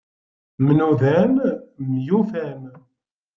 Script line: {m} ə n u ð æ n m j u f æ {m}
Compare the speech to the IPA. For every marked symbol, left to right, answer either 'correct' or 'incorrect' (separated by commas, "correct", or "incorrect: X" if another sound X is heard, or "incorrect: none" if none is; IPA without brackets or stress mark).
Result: correct, incorrect: n